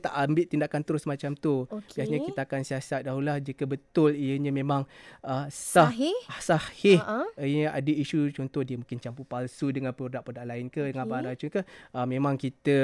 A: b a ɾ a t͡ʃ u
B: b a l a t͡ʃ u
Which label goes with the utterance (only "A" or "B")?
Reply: A